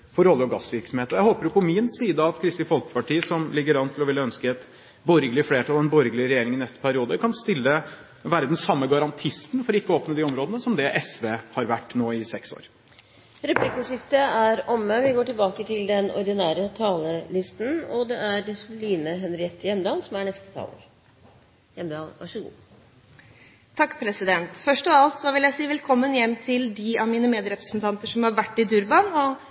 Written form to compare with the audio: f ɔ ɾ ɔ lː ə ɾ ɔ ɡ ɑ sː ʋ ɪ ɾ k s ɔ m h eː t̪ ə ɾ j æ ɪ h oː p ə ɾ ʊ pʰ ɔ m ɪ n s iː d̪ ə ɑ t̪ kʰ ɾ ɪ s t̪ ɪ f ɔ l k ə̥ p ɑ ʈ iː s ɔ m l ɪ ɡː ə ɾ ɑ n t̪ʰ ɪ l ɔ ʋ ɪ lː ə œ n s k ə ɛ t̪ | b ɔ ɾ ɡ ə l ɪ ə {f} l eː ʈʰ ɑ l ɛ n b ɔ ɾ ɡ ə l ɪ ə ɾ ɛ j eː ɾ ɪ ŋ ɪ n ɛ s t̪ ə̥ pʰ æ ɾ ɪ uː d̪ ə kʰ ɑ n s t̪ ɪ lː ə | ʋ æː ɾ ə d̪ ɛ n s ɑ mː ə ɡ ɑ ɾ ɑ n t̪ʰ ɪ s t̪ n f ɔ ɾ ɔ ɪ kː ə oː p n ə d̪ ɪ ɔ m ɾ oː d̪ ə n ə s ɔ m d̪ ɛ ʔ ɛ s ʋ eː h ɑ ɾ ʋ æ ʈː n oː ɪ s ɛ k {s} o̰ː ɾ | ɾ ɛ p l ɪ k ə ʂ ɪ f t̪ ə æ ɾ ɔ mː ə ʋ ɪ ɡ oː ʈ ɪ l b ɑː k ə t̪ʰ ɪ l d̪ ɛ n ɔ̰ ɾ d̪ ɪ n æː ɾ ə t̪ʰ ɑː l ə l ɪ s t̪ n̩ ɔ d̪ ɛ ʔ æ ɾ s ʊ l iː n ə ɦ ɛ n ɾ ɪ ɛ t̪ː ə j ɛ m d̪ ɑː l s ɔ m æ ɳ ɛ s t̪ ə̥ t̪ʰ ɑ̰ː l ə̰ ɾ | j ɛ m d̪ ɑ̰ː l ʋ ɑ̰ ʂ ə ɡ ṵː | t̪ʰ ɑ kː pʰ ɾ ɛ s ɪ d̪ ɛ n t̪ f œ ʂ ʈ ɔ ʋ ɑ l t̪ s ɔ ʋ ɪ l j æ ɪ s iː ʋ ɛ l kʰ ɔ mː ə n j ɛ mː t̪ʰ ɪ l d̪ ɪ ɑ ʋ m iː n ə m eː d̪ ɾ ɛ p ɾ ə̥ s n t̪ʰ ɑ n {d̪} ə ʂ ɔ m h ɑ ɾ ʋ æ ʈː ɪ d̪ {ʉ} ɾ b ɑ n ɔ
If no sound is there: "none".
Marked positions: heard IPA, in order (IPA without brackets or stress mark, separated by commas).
f, s, t̪, ʉ